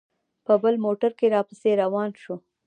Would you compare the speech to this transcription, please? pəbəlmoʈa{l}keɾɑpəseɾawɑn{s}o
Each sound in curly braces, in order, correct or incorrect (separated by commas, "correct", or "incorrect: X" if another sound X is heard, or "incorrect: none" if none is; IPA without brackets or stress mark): incorrect: ɾ, incorrect: ʃ